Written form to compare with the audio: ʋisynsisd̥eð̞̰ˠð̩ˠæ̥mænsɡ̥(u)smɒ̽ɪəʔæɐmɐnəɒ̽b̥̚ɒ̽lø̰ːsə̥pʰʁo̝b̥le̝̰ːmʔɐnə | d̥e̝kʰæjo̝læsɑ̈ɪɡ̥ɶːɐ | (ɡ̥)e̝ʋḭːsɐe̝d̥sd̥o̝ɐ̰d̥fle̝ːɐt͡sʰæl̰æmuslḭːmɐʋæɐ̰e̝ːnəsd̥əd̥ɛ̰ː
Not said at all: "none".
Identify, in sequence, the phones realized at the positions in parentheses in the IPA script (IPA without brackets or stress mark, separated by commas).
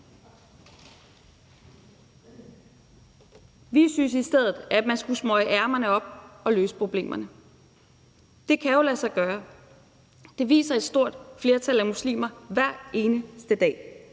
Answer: u, d̥